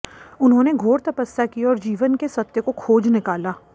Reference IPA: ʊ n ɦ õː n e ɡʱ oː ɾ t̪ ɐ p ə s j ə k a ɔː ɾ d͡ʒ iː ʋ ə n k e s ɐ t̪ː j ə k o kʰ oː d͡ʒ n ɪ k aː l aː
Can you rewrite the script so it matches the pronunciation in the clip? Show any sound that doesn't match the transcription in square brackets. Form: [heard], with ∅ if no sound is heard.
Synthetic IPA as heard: ʊ n ɦ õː n e ɡʱ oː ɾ t̪ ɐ p ə s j [a] k [i] ɔː ɾ d͡ʒ iː ʋ ə n k e s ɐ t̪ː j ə k o kʰ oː d͡ʒ n ɪ k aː l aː